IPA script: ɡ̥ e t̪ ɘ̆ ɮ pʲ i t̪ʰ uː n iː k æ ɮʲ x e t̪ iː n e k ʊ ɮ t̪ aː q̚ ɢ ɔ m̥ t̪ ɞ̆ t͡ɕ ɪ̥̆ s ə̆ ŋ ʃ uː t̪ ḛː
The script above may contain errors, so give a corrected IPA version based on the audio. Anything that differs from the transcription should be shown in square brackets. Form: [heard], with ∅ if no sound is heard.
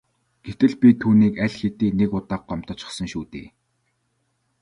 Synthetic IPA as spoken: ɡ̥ e t̪ ɘ̆ ɮ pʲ i t̪ʰ uː n iː k æ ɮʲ x e t̪ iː n e k ʊ [∅] t̪ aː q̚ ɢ ɔ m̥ t̪ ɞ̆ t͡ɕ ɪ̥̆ s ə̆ ŋ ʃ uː t̪ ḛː